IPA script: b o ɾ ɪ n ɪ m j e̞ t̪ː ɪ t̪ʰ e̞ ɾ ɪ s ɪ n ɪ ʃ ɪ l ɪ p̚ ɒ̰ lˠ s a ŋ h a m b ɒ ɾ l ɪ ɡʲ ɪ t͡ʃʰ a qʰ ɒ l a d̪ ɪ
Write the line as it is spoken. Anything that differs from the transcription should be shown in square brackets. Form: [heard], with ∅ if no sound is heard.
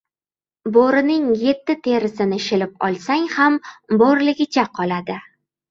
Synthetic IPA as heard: b o ɾ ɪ n ɪ [ŋ] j e̞ t̪ː ɪ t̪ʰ e̞ ɾ ɪ s ɪ n ɪ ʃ ɪ l ɪ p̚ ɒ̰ lˠ s a ŋ h a m b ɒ ɾ l ɪ ɡʲ ɪ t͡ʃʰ a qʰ ɒ l a d̪ ɪ